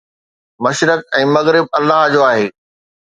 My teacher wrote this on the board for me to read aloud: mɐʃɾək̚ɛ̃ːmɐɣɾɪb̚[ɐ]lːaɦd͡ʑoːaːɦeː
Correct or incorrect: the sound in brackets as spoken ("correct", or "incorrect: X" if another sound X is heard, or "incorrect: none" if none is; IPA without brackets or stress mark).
correct